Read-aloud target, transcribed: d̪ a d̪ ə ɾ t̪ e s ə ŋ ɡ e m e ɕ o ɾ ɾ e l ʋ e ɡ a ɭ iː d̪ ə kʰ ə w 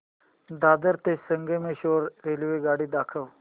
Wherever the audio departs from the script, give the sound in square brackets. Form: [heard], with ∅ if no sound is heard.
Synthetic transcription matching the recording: d̪ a d̪ ə ɾ t̪ e s ə ŋ ɡ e m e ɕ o ɾ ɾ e l ʋ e ɡ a [ɽ] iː d̪ [a] kʰ ə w

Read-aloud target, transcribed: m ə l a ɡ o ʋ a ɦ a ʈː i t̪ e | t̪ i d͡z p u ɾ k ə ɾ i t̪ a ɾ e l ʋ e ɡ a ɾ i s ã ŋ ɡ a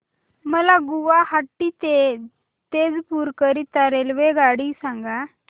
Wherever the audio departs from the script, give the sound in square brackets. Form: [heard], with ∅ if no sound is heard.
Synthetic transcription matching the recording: m ə l a ɡ [u] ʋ a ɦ a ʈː i t̪ e | t̪ [e] d͡z p u ɾ k ə ɾ i t̪ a ɾ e l ʋ e ɡ a [ɽ] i s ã ŋ ɡ a

